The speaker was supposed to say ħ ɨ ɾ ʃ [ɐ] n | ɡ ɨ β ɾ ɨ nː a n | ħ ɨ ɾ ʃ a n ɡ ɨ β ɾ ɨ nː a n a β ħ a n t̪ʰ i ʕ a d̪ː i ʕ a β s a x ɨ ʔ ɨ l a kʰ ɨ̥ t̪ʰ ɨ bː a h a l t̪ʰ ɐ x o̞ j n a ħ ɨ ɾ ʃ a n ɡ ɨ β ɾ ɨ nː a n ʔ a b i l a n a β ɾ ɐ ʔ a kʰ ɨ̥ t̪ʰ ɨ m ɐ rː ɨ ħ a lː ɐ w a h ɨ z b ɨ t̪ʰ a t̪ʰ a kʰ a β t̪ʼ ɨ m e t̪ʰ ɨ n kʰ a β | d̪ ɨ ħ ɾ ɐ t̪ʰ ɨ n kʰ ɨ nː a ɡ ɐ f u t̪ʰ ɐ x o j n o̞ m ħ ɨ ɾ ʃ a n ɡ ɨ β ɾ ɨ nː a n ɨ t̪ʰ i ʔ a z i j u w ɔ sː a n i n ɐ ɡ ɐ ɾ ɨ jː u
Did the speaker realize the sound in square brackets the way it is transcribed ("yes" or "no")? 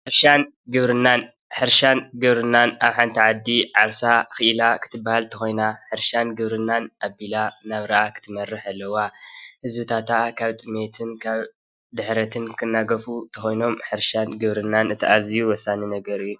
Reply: no